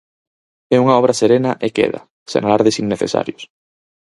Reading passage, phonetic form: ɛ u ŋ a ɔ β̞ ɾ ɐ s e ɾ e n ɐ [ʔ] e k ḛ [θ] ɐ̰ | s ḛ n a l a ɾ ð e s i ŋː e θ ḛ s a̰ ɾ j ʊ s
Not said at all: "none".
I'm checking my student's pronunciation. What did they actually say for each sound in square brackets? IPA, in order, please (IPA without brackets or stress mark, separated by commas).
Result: ʔ, ð